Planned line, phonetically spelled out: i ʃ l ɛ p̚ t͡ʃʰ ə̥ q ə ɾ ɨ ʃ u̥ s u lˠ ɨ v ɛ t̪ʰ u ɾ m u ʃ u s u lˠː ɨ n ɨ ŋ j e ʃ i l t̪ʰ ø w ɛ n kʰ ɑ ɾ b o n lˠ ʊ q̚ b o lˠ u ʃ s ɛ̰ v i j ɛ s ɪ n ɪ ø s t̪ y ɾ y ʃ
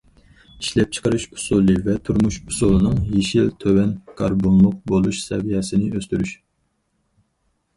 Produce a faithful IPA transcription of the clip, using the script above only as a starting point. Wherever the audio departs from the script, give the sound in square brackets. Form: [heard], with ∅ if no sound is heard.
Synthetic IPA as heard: i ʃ l ɛ p̚ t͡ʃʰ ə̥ q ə ɾ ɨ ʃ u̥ s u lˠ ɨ v ɛ t̪ʰ u ɾ m u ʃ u s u [lˠ] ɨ n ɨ ŋ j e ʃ i l t̪ʰ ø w ɛ n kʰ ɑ ɾ b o n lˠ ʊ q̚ b o lˠ u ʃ s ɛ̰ v i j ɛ s ɪ n ɪ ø s t̪ y ɾ y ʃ